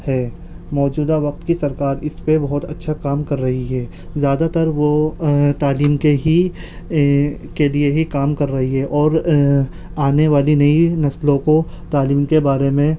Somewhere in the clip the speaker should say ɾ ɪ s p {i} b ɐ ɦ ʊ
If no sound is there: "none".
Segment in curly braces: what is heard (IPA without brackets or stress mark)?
e